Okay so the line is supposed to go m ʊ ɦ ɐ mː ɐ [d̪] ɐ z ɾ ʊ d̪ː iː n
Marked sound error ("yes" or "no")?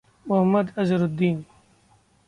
no